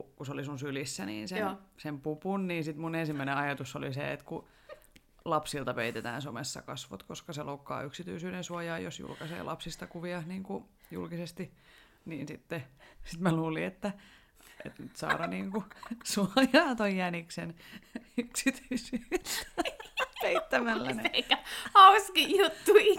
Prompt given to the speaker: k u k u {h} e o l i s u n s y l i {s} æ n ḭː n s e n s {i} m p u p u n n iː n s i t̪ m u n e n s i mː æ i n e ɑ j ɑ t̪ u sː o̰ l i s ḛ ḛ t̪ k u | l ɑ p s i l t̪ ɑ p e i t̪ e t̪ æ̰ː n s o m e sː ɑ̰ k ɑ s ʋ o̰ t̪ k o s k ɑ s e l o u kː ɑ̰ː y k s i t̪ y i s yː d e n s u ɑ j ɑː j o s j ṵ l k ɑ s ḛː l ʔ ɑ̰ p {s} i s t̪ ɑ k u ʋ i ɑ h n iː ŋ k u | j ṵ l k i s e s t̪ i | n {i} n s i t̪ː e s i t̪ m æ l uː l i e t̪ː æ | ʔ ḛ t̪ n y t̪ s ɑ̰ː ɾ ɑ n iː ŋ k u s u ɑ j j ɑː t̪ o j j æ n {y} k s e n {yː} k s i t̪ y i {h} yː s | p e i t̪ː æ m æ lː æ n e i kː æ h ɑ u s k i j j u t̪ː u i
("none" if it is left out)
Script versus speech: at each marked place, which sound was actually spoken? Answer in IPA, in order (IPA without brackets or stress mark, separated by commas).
s, sː, e, s, iː, i, y, s